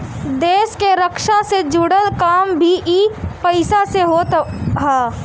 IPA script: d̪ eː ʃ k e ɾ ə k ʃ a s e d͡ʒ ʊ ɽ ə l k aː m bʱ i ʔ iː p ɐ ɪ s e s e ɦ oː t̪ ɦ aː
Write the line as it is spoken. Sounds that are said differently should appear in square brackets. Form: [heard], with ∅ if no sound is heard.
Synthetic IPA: d̪ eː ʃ k e ɾ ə k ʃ a s e d͡ʒ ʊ ɽ ə l k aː m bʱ i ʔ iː p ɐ ɪ s [a] s e ɦ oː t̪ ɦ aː